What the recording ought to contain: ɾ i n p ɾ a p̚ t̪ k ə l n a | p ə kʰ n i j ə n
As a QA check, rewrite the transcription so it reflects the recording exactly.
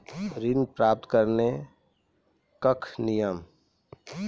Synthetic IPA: ɾ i n p ɾ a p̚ t̪ k ə ɾ n e | k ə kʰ n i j ə m

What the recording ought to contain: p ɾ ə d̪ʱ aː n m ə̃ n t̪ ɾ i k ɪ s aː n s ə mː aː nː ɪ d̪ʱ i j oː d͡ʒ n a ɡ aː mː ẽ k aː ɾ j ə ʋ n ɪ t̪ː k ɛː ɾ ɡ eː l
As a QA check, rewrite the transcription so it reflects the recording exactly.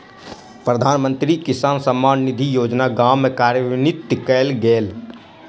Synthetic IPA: p ɾ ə d̪ʱ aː n m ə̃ n t̪ ɾ i k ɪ s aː n s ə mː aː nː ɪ d̪ʱ i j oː d͡ʒ n a ɡ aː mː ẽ k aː ɾ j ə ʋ n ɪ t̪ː k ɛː l ɡ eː l

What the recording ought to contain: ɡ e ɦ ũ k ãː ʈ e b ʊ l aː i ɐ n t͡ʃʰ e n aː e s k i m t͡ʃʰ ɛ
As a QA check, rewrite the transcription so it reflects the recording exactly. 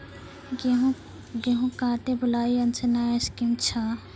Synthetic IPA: ɡ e ɦ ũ k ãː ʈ e b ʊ l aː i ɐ n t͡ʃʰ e n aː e s k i m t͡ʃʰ a

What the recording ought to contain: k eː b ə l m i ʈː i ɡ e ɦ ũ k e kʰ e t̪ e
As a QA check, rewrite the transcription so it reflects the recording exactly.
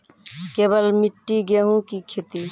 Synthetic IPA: k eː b ə l m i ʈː i ɡ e ɦ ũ k i kʰ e t̪ i

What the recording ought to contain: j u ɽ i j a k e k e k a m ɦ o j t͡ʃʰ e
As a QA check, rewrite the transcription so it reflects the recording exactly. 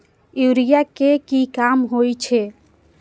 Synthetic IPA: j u ɾ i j a k e k i k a m ɦ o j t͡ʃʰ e

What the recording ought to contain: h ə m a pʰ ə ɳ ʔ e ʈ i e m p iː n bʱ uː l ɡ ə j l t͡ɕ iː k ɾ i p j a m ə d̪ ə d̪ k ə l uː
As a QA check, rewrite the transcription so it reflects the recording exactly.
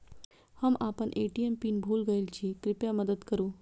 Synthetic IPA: h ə m a p ə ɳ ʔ e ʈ i e m p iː n bʱ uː l ɡ ə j l t͡ɕ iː k ɾ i p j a m ə d̪ ə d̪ k ə ɾ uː

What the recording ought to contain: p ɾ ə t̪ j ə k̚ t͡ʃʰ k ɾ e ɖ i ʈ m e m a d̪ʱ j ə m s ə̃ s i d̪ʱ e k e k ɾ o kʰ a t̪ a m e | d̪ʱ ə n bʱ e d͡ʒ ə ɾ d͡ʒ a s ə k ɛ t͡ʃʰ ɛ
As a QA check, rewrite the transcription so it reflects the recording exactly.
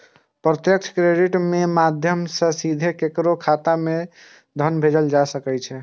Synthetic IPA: p ɾ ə t̪ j ə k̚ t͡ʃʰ k ɾ e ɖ i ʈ m e m a d̪ʱ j ə m s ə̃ s i d̪ʱ e k e k ɾ o kʰ a t̪ a m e | d̪ʱ ə n bʱ e d͡ʒ ə l d͡ʒ a s ə k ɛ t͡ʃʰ ɛ

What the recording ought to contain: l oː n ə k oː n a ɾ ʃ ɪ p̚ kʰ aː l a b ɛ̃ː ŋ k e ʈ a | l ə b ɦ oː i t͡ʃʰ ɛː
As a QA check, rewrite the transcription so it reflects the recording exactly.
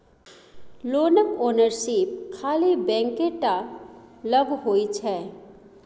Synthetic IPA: l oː n ə k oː n ə ɾ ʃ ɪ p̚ kʰ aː l i b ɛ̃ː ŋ k e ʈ a | l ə ɡ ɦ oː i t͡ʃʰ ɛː

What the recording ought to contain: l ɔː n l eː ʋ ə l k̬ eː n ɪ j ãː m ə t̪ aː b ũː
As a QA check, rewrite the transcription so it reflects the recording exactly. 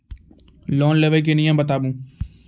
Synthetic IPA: l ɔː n l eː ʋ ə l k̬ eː n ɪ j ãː b ə t̪ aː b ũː

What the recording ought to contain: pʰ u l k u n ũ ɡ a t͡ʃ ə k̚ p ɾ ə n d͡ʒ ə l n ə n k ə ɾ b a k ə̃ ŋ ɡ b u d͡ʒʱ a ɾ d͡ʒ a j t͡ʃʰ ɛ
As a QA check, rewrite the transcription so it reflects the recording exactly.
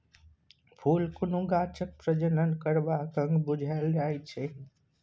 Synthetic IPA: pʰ u l k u n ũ ɡ a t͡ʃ ə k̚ p ɾ ə d͡ʒ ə n ə n k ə ɾ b a k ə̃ ŋ ɡ b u d͡ʒʱ a l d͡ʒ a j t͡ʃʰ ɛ

